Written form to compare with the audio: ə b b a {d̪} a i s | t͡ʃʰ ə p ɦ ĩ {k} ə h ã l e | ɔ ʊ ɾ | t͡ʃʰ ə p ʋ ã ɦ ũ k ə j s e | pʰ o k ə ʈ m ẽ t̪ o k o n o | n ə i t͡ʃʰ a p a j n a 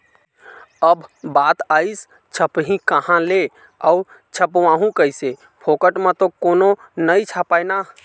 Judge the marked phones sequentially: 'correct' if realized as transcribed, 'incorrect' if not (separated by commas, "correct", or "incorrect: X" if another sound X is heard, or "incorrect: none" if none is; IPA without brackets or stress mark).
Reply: incorrect: t̪, correct